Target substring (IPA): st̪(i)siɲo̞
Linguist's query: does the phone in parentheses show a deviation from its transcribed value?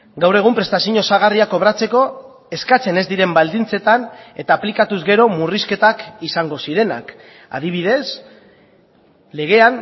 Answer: yes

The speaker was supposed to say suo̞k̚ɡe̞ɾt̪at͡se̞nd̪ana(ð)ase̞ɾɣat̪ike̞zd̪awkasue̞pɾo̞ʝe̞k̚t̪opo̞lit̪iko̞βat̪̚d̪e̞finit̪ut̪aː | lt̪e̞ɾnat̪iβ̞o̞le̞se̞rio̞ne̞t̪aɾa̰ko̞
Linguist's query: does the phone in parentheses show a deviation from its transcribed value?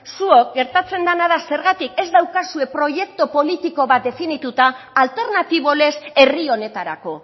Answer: no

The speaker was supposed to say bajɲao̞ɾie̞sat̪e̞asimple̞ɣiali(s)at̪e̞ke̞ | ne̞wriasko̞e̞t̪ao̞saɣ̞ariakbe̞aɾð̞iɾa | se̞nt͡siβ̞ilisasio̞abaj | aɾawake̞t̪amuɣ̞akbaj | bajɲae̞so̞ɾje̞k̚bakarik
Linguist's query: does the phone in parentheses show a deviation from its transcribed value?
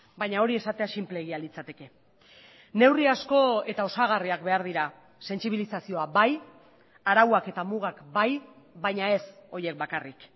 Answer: yes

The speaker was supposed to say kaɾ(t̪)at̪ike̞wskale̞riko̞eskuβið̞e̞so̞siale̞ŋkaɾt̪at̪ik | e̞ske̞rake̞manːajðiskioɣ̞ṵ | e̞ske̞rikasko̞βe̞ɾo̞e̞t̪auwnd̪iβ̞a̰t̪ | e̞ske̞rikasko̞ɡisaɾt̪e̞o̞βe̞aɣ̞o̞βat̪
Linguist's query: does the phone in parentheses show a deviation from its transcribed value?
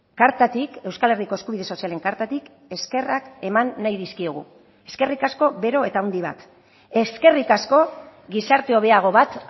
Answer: no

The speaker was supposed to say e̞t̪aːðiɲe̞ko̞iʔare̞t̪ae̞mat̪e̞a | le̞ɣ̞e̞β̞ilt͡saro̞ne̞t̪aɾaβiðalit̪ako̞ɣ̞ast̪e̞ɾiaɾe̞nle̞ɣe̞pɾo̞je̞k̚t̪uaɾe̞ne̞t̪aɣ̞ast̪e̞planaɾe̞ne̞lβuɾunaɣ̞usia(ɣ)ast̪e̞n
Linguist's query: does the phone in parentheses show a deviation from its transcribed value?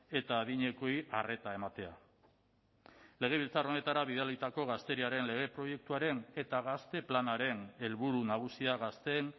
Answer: no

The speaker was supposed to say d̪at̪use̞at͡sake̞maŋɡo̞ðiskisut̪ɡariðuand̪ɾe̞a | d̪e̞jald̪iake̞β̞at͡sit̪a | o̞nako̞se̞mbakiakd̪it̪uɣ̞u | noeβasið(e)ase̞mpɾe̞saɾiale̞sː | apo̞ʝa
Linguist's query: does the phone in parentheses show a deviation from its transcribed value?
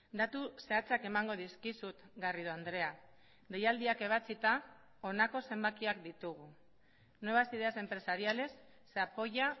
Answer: no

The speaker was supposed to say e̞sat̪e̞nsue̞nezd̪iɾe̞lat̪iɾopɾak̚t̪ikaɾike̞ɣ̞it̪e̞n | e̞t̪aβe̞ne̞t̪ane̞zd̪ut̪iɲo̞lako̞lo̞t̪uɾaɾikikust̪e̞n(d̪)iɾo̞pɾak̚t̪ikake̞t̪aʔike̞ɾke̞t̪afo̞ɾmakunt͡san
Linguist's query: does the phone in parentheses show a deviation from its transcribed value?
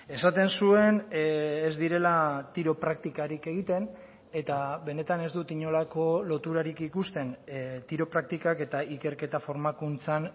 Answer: yes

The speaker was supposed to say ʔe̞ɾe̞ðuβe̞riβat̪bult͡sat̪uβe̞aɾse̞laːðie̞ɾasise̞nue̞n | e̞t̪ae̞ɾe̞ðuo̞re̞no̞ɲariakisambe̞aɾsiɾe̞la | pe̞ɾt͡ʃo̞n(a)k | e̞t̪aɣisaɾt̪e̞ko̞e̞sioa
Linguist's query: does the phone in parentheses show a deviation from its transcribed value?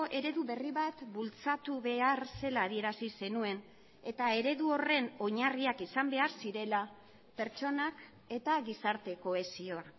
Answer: no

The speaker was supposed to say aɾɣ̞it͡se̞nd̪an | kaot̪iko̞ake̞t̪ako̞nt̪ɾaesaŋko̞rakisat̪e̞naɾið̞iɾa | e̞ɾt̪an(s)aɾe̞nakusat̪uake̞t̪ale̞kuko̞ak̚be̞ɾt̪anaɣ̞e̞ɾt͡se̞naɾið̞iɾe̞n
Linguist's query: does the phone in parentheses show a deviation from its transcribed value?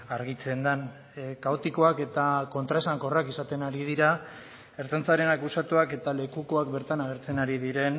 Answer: yes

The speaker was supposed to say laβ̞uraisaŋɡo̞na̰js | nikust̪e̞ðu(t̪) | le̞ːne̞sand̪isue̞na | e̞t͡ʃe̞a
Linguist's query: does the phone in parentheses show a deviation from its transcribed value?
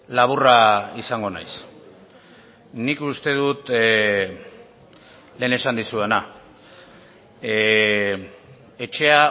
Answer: no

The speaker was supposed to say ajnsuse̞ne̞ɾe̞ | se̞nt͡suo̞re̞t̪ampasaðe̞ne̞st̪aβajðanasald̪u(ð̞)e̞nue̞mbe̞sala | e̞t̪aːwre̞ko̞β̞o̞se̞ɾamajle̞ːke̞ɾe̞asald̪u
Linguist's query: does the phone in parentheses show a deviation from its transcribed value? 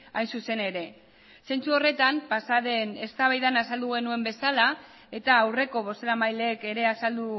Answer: yes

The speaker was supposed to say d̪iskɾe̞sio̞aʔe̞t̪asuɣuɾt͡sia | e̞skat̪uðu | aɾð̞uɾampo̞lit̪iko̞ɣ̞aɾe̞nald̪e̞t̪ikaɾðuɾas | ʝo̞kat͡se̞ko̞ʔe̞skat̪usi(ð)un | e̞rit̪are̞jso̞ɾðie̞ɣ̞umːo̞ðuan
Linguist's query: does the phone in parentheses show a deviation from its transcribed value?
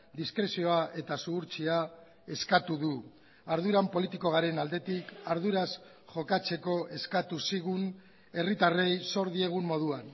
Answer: yes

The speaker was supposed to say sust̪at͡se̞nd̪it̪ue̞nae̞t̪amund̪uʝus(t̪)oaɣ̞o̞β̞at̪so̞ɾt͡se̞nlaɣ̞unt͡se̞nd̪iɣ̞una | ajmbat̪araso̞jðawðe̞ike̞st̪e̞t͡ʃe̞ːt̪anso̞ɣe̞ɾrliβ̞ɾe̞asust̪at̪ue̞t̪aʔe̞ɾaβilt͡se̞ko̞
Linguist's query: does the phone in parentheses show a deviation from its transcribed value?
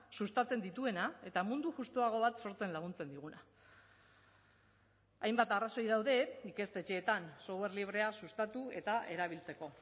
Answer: no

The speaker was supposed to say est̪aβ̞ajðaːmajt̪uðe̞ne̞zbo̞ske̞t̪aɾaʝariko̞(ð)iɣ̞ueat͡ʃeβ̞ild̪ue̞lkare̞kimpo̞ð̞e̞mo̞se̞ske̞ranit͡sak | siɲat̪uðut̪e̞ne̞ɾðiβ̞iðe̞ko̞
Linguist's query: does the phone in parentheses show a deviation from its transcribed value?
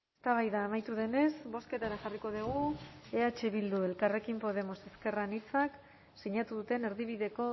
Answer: no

